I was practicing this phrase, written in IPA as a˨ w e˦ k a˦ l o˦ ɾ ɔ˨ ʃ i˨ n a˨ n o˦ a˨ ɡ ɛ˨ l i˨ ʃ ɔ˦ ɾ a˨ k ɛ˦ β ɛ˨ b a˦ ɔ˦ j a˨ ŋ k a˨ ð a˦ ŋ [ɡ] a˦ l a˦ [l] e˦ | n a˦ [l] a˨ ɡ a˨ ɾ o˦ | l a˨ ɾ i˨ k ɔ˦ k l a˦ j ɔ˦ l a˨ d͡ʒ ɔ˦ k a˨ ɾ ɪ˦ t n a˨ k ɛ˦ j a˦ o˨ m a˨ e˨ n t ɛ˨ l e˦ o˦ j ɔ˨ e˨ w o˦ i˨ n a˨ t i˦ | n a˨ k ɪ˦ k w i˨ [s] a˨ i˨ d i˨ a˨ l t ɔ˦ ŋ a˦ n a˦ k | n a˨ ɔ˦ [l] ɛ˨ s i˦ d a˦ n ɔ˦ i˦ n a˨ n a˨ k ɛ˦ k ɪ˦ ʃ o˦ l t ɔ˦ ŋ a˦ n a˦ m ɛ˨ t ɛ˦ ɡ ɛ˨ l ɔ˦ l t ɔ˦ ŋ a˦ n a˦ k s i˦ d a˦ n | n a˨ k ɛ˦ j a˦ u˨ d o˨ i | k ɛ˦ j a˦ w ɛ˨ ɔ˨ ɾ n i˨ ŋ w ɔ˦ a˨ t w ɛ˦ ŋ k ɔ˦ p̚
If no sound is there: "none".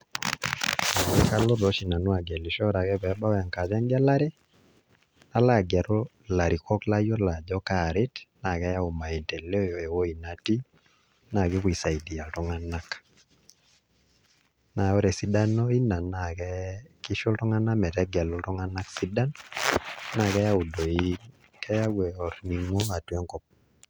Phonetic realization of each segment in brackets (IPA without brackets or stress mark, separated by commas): ɡ, ɾ, l, s, ɾ